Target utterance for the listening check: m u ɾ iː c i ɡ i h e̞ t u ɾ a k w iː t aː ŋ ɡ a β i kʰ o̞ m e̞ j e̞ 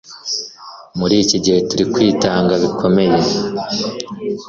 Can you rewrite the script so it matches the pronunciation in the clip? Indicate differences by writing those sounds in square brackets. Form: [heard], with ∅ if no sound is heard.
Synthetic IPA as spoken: m u ɾ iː c i [ɟ] i h e̞ t u ɾ [i] k w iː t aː ŋ ɡ a β i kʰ o̞ m e̞ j e̞